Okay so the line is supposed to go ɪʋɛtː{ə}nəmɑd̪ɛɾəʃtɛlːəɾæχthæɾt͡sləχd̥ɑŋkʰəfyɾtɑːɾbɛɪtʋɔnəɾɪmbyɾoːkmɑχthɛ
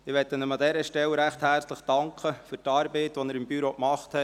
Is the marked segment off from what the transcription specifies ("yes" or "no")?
no